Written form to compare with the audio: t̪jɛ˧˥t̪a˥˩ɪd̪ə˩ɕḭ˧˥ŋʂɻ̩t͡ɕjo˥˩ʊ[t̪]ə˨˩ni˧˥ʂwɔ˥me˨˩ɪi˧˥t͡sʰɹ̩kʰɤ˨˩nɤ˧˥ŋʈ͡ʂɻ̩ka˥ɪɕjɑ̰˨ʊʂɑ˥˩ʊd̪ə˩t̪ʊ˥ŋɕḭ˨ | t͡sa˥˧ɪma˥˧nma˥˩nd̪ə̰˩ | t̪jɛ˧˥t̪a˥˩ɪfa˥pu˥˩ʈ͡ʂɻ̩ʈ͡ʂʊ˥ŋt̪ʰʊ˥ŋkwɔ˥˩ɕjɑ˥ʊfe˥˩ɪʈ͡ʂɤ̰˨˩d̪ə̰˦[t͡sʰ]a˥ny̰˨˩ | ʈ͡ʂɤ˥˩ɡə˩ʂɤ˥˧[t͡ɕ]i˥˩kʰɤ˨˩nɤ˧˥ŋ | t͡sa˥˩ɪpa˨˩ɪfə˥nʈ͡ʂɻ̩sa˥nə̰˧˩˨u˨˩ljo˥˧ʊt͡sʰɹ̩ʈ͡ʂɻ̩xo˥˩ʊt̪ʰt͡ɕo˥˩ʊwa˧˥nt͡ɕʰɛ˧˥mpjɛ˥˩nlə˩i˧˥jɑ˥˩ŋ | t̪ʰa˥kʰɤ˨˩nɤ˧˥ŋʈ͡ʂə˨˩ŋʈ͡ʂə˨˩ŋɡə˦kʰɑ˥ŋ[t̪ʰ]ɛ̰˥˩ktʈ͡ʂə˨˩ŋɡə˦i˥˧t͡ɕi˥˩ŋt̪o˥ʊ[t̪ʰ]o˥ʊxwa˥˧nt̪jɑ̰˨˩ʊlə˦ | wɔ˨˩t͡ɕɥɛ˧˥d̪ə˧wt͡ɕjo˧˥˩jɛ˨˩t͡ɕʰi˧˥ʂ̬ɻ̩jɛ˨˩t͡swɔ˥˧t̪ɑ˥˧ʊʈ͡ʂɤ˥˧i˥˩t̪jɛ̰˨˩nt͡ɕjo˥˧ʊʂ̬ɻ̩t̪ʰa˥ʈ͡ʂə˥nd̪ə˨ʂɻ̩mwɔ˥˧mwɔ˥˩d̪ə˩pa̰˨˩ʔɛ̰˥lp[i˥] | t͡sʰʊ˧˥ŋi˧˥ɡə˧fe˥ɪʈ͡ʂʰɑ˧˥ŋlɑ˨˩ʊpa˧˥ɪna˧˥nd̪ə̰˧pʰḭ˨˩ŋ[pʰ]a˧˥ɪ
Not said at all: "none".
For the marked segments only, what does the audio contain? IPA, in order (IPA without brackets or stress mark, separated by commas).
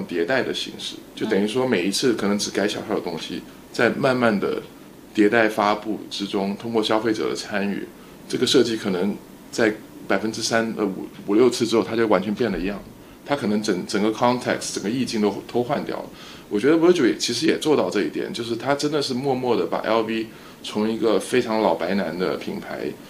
t̪, t͡sʰ, t͡ɕ, t̪ʰ, t̪ʰ, i˥, pʰ